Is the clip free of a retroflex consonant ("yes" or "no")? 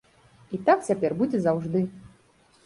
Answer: no